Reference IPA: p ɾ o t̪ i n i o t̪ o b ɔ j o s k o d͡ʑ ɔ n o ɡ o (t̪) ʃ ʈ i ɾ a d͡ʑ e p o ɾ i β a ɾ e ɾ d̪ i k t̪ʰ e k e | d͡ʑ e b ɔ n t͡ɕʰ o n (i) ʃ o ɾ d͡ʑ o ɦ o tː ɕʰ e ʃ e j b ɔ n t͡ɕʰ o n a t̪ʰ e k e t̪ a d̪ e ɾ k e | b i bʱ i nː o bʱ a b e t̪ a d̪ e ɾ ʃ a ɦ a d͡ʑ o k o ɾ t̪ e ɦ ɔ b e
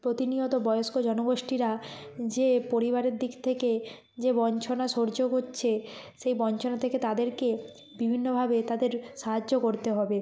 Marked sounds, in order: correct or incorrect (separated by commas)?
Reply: incorrect, incorrect